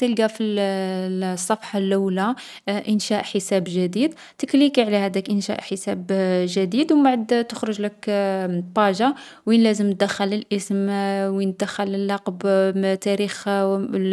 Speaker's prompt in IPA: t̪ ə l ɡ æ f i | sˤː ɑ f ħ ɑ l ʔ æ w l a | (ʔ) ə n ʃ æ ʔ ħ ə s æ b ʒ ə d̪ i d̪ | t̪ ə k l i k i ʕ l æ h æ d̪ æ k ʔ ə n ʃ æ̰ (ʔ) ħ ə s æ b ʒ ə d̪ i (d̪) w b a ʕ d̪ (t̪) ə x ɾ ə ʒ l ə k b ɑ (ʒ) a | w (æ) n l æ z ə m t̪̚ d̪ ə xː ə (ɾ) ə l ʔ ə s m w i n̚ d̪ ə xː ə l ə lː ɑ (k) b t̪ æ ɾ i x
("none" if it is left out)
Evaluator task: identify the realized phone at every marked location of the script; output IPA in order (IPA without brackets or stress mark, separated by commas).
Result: ʔ, ʔ, d̪, t̪, ʒ, i, l, q